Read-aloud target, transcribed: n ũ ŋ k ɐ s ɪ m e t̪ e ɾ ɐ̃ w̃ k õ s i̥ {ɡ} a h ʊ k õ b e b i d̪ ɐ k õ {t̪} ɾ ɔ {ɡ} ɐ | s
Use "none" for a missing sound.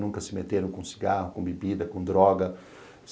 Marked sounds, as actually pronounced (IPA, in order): ɡ, d̪, ɡ

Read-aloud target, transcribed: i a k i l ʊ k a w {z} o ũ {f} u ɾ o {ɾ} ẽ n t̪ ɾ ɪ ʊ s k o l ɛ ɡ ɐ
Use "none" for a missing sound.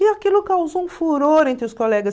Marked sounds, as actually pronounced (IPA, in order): z, f, ɾ

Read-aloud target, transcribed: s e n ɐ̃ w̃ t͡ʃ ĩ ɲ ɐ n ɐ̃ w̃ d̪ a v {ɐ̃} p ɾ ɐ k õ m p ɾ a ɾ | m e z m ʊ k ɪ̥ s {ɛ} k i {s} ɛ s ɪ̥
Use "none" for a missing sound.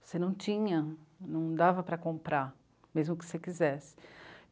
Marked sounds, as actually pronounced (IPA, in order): ɐ, e, z

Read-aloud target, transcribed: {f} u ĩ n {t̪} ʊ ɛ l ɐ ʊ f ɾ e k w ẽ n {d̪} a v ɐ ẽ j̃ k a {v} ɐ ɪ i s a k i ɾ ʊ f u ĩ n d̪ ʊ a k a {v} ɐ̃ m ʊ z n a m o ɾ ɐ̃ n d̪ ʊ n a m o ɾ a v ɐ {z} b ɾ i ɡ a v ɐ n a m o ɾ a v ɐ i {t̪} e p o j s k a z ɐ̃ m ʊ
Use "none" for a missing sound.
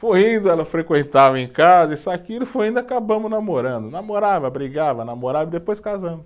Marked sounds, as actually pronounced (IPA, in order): f, d̪, t̪, z, b, none, d̪

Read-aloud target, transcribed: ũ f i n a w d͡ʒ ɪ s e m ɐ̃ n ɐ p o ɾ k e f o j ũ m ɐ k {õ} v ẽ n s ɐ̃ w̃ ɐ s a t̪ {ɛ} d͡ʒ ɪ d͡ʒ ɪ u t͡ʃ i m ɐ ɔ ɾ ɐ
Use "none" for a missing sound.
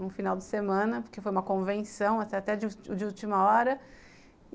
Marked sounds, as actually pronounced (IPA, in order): õ, ɛ

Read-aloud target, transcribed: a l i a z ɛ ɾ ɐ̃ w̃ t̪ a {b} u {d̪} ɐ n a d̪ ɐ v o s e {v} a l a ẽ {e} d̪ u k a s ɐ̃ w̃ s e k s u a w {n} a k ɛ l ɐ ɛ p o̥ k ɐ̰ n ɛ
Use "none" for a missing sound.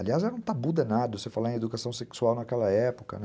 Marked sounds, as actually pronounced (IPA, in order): b, d̪, f, e, n

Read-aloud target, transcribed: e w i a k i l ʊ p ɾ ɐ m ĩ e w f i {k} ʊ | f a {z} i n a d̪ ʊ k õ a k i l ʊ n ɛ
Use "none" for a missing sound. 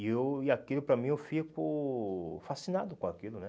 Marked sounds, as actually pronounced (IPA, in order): k, s

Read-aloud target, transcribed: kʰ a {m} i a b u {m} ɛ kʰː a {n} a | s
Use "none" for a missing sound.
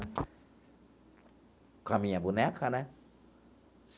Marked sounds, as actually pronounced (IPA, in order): m, n, n

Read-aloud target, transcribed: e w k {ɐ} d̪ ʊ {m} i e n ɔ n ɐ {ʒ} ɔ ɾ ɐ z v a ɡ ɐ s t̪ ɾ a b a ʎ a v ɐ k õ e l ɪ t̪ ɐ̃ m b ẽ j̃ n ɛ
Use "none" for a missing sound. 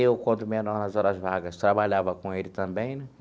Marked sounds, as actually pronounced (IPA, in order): ɐ̃, m, z

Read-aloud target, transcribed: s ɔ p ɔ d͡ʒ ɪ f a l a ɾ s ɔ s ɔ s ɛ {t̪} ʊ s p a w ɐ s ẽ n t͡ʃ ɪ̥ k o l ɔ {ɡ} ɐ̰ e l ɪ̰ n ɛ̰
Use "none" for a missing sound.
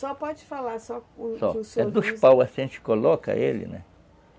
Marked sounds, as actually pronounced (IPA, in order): d̪, k

